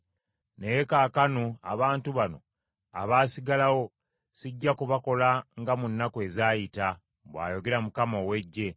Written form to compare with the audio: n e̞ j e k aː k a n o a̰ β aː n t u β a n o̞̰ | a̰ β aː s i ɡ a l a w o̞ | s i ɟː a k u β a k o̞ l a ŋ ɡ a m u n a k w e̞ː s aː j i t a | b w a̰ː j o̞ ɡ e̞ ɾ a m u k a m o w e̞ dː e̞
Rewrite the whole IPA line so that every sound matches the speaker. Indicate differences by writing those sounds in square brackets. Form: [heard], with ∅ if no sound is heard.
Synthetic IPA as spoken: n e̞ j e k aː k a n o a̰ β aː n t u β a n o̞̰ | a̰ β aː s i ɡ a l a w o̞ | s i ɟː a k u β a k o̞ l a ŋ ɡ a m u [nː] a k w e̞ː [z] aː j i t a | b w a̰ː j o̞ ɡ e̞ ɾ a m u k a m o w e̞ [ɟː] e̞